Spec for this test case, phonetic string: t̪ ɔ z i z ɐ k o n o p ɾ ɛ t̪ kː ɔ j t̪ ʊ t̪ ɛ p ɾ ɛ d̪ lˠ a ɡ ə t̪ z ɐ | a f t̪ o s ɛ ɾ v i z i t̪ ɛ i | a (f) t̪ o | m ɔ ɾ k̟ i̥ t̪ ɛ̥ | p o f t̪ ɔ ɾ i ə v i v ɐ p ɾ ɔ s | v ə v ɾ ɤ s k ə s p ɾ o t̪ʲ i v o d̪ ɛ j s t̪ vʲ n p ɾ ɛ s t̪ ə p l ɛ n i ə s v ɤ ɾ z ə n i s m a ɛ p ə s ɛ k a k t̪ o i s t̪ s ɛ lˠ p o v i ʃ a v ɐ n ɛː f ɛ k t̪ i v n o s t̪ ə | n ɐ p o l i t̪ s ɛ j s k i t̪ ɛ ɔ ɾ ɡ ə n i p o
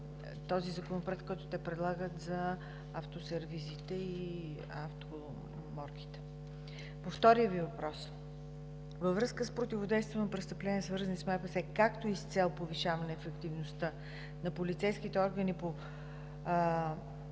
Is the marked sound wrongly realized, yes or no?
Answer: no